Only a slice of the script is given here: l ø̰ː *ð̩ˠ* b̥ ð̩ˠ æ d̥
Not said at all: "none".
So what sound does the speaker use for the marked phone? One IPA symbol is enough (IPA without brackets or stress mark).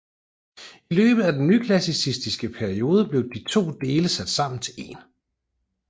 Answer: none